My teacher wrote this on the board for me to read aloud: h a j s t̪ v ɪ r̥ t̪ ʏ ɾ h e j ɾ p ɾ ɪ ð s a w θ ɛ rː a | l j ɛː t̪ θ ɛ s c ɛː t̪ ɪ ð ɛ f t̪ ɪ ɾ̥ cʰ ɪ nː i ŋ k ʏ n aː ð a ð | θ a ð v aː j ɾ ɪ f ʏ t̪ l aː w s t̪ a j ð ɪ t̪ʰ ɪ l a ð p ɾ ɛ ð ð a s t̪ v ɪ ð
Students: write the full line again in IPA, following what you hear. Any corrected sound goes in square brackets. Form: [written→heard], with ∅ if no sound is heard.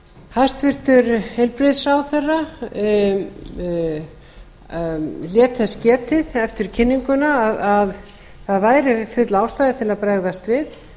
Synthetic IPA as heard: h a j s t̪ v ɪ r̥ t̪ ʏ ɾ h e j [ɾ→l] p ɾ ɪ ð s a w θ ɛ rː a | l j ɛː t̪ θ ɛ s c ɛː t̪ ɪ ð ɛ f t̪ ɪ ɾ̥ cʰ ɪ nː i ŋ k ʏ n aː ð a ð | θ a ð v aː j ɾ ɪ f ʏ t̪ l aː w s t̪ a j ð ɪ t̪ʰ ɪ l a ð p ɾ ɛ [ð→ɣ] ð a s t̪ v ɪ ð